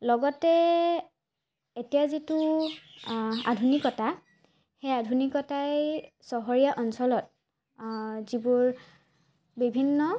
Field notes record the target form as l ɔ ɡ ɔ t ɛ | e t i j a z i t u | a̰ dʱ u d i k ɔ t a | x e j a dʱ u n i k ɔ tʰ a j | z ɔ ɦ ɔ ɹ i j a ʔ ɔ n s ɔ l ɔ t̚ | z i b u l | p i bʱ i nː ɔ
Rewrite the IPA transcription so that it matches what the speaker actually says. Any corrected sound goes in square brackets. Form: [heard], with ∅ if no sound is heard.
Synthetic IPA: l ɔ ɡ ɔ t ɛ | e t i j a z i t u | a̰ dʱ u [n] i k ɔ t a | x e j a dʱ u n i k ɔ [t] a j | [s] ɔ ɦ ɔ ɹ i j a ʔ ɔ n s ɔ l ɔ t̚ | z i b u [ɹ] | [b] i bʱ i nː ɔ